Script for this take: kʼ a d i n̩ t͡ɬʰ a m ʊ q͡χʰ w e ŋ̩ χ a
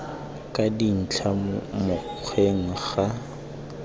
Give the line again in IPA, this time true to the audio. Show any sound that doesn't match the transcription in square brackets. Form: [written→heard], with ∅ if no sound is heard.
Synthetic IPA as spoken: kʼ a d i n̩ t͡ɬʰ a m ʊ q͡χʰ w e ŋ̩ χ a

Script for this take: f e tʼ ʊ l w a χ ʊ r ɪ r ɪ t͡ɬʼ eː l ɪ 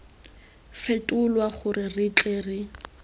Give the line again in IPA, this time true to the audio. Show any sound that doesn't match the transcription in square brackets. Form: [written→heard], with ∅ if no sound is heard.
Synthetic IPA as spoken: f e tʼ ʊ l w a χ ʊ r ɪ r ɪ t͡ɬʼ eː [l→r] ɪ

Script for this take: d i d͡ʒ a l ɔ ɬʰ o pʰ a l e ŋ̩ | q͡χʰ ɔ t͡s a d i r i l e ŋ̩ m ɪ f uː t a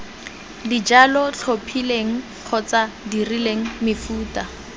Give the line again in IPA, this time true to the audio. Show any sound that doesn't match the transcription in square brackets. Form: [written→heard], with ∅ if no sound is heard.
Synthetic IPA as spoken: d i d͡ʒ a l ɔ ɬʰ o pʰ [a→i] l e ŋ̩ | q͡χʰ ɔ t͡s a d i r i l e ŋ̩ m ɪ f uː t a

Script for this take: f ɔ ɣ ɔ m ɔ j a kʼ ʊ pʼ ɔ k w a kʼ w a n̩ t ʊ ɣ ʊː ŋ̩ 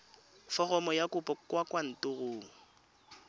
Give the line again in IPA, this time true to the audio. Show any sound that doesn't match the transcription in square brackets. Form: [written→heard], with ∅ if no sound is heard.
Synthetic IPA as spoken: f ɔ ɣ ɔ m ɔ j a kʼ ʊ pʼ ɔ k w a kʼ w a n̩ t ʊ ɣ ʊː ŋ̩

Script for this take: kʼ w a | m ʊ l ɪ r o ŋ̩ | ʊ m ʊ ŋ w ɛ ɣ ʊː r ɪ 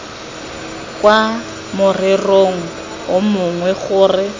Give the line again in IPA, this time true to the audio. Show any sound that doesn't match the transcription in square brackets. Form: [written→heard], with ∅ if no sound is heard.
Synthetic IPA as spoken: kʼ w a | m ʊ [l→r] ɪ r o ŋ̩ | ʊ m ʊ ŋ w ɛ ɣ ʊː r ɪ

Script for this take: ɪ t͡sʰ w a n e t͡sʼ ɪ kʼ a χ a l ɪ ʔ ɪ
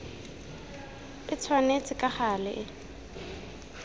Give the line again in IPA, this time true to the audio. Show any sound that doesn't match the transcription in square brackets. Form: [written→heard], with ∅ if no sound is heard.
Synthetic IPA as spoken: ɪ t͡sʰ w a n e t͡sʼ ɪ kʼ a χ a l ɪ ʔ ɪ

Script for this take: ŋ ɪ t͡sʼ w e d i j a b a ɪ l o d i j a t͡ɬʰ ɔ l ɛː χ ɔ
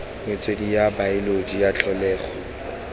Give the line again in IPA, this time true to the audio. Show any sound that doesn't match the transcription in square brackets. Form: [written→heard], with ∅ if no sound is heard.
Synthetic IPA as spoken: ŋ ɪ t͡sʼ w e d i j a b a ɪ l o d i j a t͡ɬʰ ɔ l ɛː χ ɔ

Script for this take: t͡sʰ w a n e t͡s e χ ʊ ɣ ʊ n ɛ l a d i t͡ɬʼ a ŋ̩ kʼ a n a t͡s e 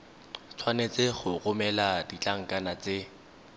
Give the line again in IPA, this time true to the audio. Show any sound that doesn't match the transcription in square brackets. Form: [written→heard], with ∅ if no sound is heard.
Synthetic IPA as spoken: t͡sʰ w a n e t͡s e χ ʊ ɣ ʊ [n→m] ɛ l a d i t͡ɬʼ a ŋ̩ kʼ a n a t͡s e

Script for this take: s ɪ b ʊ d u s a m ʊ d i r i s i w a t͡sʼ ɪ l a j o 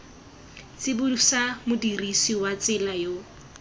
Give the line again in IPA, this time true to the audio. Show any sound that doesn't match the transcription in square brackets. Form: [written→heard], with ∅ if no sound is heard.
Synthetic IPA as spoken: [s→t͡s] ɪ b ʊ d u s a m ʊ d i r i s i w a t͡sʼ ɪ l a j o

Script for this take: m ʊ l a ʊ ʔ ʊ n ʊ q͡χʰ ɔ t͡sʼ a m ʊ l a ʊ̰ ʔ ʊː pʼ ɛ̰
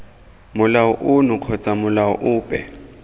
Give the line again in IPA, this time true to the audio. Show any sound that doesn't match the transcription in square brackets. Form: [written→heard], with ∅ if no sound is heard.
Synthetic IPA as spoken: m ʊ l a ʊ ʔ ʊ n ʊ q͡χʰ ɔ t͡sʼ a m ʊ l a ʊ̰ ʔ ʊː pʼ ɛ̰

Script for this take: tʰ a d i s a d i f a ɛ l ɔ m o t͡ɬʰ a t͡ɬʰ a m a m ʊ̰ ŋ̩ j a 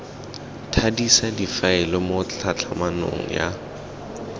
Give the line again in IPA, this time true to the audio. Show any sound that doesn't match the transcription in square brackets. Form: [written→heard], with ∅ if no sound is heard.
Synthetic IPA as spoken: tʰ a d i s a d i f a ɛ l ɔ m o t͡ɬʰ a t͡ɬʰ a m a [m→n] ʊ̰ ŋ̩ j a

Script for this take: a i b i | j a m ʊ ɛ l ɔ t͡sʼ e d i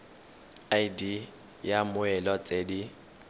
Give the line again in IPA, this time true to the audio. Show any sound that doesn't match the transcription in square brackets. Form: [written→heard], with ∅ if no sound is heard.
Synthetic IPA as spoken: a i [b→d] i | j a m ʊ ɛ l ɔ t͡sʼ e d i

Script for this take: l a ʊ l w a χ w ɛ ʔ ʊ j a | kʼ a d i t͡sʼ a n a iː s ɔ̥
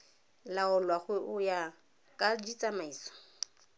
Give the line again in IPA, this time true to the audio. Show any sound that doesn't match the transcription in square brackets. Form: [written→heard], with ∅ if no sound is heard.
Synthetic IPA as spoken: l a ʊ l w a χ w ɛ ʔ ʊ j a | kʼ a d i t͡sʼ a [n→m] a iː s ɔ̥

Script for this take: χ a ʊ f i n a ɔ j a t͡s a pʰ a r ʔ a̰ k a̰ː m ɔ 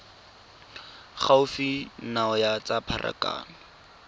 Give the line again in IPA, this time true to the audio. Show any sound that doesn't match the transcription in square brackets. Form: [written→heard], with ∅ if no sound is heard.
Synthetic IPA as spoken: χ a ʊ f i n a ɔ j a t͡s a pʰ a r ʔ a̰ k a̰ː [m→n] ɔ

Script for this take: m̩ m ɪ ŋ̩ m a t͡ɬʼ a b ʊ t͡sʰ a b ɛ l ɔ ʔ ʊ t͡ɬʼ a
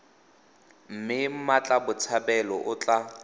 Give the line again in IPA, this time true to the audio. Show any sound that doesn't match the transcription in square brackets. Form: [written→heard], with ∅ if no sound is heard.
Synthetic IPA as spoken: m̩ m ɪ [ŋ̩→m̩] m a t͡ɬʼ a b ʊ t͡sʰ a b ɛ l ɔ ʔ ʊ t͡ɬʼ a

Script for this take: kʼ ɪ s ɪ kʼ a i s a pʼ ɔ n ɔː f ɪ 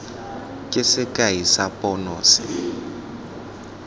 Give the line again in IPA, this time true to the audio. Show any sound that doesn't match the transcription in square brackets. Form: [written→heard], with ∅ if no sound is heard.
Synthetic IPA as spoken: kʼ ɪ s ɪ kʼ a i s a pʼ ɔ n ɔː [f→s] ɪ

